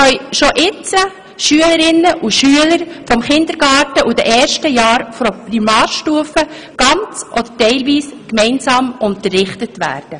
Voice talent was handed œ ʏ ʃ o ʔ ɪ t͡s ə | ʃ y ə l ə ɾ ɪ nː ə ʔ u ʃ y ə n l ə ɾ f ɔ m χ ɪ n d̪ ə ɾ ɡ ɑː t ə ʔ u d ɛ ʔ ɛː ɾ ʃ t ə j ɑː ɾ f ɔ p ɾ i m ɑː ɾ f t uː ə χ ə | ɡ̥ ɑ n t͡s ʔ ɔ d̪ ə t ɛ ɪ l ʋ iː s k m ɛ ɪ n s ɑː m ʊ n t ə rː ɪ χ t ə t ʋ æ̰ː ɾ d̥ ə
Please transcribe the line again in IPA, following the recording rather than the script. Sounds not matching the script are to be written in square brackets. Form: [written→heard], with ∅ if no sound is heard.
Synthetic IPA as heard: œ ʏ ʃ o ʔ ɪ t͡s ə | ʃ y ə l ə ɾ ɪ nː ə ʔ u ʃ y ə [n→∅] l ə ɾ f ɔ m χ ɪ n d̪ ə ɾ ɡ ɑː t ə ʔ u d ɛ ʔ ɛː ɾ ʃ t ə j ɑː ɾ f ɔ p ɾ i m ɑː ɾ [f→ʃ] t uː ə [χ→f] ə | ɡ̥ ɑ n t͡s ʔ ɔ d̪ ə t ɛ ɪ l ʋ iː s k m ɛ ɪ n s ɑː m ʊ n t ə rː ɪ χ t ə t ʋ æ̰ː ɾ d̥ ə